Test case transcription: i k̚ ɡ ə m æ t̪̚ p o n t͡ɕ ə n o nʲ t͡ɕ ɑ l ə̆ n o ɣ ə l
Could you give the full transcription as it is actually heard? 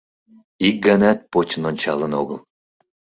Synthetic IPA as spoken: i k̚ ɡ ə n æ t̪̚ p o t͡ɕ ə n o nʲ t͡ɕ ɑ l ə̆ n o ɣ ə l